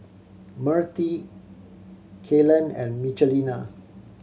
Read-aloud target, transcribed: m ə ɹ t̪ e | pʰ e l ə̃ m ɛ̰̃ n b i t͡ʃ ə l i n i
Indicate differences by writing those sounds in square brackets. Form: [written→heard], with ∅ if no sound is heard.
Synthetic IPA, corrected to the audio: m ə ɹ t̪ [e→i] | [pʰ→kʰ] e l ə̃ [m→n] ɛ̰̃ n [b→m] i t͡ʃ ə l i n [i→a]